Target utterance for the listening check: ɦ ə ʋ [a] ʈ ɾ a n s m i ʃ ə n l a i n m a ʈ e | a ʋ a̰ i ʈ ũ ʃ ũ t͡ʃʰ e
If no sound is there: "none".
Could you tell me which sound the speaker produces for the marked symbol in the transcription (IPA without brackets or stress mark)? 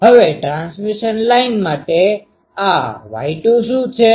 e